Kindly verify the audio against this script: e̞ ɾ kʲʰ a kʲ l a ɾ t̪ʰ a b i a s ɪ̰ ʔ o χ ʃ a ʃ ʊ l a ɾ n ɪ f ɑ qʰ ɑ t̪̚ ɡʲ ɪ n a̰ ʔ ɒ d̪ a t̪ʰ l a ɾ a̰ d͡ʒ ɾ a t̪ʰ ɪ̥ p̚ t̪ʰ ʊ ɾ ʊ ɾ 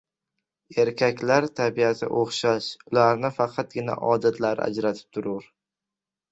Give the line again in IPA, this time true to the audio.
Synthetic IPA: e̞ ɾ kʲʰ a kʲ l a ɾ t̪ʰ a b i a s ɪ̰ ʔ o χ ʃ a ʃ ʊ l a ɾ n ɪ f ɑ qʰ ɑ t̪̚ ɡʲ ɪ n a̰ ʔ ɒ d̪ a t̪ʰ l a ɾ a̰ d͡ʒ ɾ a t̪ʰ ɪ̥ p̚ t̪ʰ ʊ ɾ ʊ ɾ